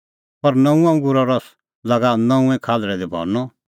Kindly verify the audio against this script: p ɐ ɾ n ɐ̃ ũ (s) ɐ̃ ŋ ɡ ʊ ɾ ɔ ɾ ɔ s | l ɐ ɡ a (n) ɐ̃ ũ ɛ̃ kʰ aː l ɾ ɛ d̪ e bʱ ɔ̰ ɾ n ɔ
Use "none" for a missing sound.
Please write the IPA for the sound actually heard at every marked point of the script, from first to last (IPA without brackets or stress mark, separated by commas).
none, n